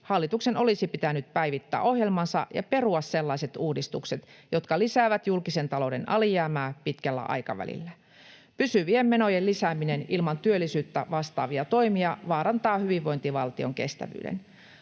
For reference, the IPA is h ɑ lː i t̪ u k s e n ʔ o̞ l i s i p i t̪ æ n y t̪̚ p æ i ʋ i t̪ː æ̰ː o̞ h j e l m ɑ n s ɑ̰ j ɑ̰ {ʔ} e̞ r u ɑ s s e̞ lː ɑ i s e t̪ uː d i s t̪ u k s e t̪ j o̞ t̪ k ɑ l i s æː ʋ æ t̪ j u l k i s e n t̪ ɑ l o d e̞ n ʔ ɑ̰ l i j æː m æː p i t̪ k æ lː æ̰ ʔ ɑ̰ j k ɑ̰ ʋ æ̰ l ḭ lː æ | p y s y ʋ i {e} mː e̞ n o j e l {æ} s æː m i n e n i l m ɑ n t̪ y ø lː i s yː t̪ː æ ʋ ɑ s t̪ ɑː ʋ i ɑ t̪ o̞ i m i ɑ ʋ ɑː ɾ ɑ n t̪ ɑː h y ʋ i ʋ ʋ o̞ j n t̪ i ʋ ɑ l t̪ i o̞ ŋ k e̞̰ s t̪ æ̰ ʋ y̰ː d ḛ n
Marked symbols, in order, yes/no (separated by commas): no, yes, no